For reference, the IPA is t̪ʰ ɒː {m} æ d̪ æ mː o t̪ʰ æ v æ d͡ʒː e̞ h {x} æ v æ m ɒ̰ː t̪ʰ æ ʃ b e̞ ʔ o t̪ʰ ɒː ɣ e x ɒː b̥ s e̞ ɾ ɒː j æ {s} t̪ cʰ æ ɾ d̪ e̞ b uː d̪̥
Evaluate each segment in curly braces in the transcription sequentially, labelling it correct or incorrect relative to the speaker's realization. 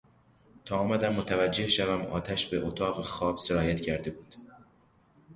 correct, incorrect: ʃ, incorrect: none

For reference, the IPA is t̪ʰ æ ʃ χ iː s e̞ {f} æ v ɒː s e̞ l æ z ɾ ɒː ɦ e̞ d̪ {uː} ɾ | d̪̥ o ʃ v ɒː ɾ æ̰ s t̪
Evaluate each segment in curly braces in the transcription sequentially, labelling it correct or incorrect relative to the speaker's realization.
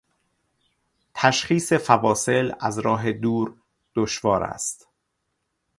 correct, correct

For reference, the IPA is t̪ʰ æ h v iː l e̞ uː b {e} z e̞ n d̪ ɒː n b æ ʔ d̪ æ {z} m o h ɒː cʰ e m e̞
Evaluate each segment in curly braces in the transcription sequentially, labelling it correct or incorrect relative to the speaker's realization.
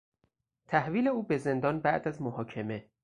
correct, correct

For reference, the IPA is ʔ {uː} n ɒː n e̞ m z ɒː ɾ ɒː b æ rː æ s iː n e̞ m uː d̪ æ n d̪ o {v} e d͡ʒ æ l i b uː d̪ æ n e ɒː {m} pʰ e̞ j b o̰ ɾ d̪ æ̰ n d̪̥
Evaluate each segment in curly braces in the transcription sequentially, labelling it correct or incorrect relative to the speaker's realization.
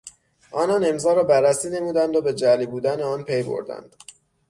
incorrect: ɒː, incorrect: b, incorrect: n

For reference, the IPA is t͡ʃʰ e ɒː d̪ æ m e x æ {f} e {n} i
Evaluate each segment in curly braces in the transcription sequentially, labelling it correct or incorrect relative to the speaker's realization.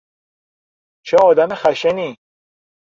incorrect: ʃ, correct

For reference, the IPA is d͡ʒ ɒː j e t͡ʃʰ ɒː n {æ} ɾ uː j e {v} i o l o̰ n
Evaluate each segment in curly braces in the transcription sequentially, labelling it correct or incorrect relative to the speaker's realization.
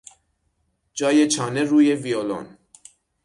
incorrect: e, correct

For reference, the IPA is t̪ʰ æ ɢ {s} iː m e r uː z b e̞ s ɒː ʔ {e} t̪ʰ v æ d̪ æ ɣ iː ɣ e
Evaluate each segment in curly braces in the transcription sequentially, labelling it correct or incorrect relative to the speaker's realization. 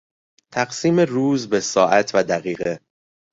correct, incorrect: æ

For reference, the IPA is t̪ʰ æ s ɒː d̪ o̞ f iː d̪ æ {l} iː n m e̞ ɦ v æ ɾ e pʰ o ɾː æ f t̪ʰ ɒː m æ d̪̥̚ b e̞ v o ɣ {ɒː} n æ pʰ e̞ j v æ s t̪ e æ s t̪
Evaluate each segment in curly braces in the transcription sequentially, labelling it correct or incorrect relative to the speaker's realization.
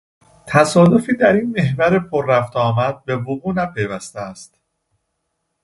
incorrect: ɾ, incorrect: uː

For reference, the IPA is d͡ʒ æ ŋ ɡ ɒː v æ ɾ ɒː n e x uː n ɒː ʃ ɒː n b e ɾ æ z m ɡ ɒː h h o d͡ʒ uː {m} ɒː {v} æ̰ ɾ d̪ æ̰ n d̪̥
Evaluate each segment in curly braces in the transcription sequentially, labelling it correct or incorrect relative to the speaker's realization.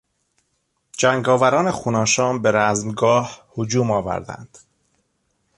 correct, correct

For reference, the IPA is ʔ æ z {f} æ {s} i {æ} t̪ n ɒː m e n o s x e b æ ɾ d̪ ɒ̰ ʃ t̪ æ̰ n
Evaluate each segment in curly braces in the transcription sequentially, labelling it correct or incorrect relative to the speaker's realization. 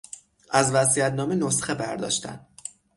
incorrect: v, correct, correct

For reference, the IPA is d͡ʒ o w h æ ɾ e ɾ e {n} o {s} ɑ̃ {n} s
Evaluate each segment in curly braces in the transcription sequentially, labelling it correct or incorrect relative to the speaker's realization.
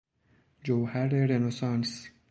correct, correct, correct

